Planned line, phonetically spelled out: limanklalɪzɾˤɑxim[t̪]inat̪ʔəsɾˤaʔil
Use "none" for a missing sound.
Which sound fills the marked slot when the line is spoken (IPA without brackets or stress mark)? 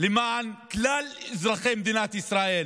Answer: d̪